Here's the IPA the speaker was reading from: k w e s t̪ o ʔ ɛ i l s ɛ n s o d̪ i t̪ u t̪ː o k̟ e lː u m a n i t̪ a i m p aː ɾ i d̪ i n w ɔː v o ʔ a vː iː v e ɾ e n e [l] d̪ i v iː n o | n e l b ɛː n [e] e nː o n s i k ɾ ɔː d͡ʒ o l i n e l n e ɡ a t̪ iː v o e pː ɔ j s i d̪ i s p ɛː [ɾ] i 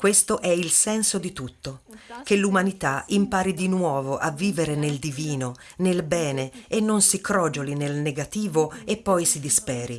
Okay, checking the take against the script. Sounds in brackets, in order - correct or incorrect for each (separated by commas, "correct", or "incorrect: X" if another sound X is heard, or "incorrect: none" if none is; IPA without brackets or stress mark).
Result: correct, correct, correct